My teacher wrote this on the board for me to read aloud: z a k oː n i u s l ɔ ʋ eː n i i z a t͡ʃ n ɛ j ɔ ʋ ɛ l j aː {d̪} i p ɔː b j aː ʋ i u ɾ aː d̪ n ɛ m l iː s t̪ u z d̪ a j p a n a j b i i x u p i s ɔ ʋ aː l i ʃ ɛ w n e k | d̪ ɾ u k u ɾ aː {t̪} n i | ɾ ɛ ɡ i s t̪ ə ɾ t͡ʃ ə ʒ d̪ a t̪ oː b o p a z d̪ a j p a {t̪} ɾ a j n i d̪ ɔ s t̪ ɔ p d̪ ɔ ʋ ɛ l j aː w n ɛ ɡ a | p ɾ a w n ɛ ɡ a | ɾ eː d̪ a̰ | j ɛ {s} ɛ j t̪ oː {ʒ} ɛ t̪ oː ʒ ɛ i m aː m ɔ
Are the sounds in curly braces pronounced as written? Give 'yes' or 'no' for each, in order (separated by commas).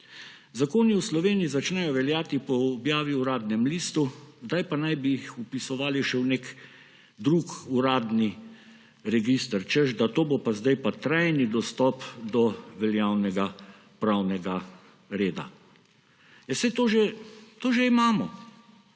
no, no, yes, yes, yes